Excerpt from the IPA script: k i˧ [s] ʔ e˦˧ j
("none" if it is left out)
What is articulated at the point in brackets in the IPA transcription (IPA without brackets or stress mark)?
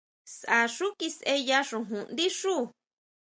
s